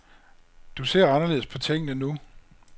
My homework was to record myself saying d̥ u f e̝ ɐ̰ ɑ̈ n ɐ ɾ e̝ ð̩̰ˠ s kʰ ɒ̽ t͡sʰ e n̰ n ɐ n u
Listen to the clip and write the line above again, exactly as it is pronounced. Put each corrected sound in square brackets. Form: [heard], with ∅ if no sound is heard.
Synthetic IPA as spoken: d̥ u [s] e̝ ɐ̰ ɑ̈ n ɐ [l] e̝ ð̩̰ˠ s [pʰ] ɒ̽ t͡sʰ e [ŋ̰] n [ə] n u